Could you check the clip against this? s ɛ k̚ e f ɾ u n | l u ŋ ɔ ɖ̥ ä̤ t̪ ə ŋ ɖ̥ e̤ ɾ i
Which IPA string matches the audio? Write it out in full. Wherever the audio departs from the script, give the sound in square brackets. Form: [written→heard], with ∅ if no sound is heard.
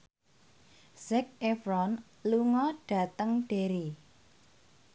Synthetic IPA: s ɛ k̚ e f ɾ [u→ɔ] n | l u ŋ ɔ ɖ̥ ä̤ t̪ ə ŋ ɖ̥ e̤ ɾ i